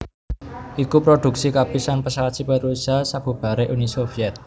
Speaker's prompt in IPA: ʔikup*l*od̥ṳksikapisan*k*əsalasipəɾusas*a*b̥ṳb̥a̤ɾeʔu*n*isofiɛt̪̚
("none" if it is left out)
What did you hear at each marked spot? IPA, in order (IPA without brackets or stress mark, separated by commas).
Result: ɾ, p, a, n